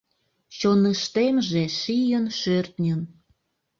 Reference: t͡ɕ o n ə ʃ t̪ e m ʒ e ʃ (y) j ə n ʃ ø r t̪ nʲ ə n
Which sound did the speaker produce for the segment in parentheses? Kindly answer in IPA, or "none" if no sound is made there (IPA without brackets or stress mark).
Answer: i